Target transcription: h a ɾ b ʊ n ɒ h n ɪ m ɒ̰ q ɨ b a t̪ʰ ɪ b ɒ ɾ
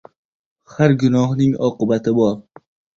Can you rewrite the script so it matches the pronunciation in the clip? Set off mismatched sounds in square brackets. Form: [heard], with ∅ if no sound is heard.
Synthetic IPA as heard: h a ɾ [ɡ] ʊ n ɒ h n ɪ [ŋ] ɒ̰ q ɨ b a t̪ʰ ɪ b ɒ ɾ